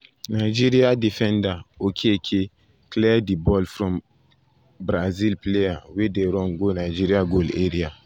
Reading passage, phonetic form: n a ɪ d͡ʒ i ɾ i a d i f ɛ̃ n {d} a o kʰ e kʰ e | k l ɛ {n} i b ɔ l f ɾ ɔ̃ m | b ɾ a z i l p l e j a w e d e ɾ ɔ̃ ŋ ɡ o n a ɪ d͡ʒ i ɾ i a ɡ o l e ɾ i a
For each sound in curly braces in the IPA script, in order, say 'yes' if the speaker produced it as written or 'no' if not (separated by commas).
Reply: yes, no